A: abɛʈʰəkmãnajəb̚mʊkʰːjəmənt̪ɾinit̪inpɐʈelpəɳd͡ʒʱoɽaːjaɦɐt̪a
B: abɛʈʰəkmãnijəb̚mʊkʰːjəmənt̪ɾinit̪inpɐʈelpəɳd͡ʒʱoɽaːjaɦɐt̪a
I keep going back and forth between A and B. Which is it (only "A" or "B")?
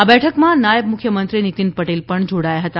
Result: A